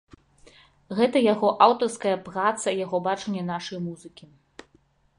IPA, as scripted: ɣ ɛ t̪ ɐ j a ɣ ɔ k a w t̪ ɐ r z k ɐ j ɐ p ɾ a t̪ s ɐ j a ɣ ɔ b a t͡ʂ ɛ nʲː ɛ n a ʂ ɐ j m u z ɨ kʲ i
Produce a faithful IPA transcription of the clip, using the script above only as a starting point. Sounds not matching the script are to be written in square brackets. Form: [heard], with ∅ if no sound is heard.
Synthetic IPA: ɣ ɛ t̪ ɐ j a ɣ ɔ [ʔ] a w t̪ ɐ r [s] k ɐ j ɐ p ɾ a t̪ s ɐ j a ɣ ɔ b a t͡ʂ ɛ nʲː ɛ n a ʂ ɐ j m u z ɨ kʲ i